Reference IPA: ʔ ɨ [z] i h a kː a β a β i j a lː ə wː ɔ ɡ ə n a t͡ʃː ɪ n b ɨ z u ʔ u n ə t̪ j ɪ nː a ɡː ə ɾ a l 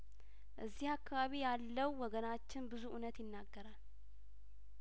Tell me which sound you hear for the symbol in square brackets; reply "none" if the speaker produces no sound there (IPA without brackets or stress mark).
zː